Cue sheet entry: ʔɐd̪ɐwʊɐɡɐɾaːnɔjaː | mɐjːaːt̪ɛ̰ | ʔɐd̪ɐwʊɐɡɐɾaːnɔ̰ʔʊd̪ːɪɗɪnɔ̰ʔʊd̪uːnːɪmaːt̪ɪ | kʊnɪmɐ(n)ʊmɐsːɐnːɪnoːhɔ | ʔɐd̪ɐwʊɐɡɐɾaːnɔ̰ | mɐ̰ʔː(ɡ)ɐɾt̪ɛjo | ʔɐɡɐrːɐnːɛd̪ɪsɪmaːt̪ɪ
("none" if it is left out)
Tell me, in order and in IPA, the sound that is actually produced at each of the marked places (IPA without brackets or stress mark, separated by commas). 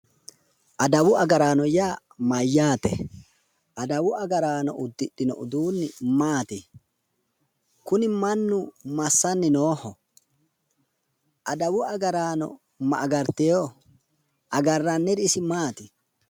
nː, ɡ